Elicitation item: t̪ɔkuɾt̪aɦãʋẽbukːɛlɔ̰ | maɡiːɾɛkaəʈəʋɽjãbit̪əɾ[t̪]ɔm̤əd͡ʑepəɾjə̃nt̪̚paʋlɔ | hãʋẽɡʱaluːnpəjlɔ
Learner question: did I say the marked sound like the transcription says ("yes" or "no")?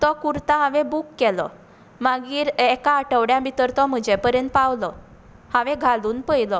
yes